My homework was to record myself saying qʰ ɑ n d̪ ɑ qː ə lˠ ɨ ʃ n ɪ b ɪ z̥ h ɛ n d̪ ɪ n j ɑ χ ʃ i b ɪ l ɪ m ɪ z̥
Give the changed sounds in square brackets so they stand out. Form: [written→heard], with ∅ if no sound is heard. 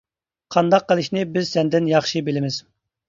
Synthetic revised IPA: qʰ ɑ n d̪ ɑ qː ə lˠ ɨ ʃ n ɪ b ɪ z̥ [h→s] ɛ n d̪ ɪ n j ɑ χ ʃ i b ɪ l ɪ m ɪ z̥